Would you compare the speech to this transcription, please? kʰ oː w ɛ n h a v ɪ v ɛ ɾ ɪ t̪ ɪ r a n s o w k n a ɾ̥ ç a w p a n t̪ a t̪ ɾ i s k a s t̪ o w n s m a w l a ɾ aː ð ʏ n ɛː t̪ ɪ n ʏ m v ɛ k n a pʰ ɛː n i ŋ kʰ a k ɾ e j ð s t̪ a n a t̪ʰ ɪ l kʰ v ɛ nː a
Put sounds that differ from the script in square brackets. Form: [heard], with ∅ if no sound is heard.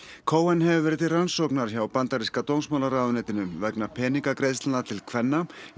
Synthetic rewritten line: kʰ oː w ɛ n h [ɛ] v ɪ v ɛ ɾ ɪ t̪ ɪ r a n s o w k n a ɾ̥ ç a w p a n t̪ a [∅] ɾ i s k a [∅] t̪ o w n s m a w l a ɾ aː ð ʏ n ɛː t̪ ɪ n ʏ m v ɛ k n a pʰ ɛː n i ŋ [k] a k ɾ e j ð s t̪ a n a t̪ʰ ɪ l kʰ v ɛ nː a